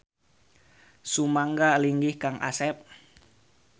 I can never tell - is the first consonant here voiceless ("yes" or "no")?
yes